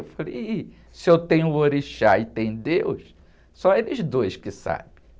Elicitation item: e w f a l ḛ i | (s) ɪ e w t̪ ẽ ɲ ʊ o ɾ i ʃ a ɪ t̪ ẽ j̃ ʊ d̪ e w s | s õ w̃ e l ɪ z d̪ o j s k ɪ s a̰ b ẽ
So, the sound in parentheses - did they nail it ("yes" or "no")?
yes